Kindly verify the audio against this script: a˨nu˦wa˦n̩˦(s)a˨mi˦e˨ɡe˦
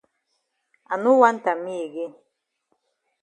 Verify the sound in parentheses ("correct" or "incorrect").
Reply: incorrect